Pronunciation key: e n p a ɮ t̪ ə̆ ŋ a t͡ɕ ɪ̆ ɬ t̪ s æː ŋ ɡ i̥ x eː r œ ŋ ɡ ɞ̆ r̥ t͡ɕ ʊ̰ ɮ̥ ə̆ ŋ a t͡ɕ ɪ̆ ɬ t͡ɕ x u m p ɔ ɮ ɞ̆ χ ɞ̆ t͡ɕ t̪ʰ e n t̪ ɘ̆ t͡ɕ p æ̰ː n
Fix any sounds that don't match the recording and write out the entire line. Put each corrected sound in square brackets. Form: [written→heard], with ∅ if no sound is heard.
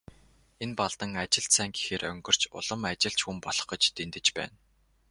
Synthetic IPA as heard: e n p a ɮ t̪ ə̆ ŋ a t͡ɕ ɪ̆ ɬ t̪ s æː ŋ ɡ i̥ x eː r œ ŋ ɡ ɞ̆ r̥ t͡ɕ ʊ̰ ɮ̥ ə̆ [ŋ→m] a t͡ɕ ɪ̆ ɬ t͡ɕ x u m p ɔ ɮ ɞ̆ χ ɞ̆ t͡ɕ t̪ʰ e n t̪ ɘ̆ t͡ɕ p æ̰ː n